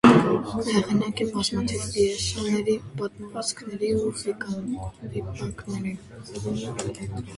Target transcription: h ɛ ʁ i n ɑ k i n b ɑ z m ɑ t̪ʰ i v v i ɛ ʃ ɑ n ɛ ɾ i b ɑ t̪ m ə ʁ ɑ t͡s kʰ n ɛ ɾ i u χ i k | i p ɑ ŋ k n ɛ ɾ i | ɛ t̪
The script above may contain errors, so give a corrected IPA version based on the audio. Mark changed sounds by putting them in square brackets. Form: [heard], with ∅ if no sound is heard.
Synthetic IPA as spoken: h ɛ ʁ i n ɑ k i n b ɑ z m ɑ t̪ʰ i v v i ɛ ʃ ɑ n ɛ ɾ i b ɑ t̪ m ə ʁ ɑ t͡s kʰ n ɛ ɾ i u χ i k | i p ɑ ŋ k n ɛ ɾ i | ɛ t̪